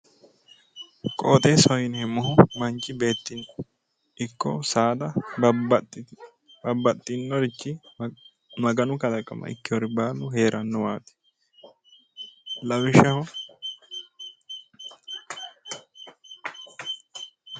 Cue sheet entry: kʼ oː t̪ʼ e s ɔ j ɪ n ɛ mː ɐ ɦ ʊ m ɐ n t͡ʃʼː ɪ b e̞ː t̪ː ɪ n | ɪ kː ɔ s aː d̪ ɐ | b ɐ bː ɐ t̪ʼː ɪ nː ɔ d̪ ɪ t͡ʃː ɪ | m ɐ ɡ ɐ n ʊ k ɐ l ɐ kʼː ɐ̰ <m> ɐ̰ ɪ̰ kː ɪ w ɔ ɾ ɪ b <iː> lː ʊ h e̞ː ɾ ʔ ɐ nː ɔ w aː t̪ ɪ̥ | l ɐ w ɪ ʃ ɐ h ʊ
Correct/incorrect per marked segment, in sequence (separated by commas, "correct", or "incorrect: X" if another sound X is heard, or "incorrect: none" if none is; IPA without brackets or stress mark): correct, incorrect: aː